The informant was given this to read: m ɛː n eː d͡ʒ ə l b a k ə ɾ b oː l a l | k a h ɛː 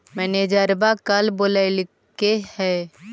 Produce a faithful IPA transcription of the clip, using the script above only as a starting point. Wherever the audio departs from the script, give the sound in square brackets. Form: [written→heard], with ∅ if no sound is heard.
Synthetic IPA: m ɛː n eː d͡ʒ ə [l→ɾ] b a k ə [ɾ→l] b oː l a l | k [a→e] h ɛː